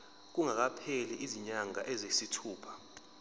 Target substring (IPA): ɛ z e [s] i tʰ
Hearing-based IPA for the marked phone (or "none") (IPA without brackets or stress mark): s